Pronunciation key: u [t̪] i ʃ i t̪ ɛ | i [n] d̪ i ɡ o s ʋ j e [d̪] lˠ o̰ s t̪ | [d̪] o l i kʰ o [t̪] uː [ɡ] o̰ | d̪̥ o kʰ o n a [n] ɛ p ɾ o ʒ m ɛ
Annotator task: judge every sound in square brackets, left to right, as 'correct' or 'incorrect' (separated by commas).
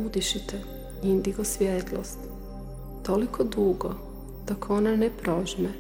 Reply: incorrect, correct, incorrect, incorrect, incorrect, correct, correct